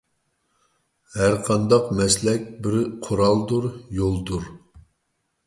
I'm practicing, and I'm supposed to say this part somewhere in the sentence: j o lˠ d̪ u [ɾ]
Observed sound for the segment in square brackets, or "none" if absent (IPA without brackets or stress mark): ɾ